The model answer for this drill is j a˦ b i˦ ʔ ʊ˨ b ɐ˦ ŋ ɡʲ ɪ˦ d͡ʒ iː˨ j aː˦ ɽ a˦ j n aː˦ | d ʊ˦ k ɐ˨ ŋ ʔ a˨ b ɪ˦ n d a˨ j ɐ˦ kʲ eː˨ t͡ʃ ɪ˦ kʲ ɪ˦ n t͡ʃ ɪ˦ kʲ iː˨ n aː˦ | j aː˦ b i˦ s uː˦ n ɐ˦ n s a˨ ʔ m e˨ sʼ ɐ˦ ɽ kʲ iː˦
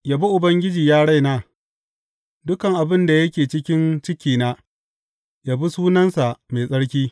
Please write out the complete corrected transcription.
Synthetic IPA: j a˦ b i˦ ʔ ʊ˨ b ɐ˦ ŋ ɡʲ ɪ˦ d͡ʒ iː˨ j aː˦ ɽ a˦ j n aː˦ | d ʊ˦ k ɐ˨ ŋ ʔ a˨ b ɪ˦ n d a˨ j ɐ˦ kʲ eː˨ t͡ʃ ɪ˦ kʲ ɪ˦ n t͡ʃ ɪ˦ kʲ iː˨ n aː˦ | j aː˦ b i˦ s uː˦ n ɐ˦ n s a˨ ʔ m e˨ sʼ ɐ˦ ɽ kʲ iː˦